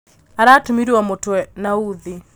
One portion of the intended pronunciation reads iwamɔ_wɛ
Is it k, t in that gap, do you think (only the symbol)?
t